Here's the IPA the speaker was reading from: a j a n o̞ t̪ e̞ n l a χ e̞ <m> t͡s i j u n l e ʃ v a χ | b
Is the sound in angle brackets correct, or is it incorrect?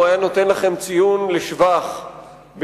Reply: correct